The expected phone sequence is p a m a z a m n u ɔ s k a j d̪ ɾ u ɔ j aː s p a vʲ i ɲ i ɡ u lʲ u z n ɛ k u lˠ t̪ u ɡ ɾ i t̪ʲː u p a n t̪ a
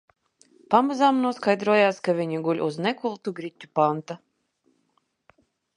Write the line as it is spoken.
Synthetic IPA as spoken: p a m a z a m n u ɔ s k a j d̪ ɾ u ɔ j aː s k a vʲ i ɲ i ɡ u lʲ u z n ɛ k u lˠ t̪ u ɡ ɾ i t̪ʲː u p a n t̪ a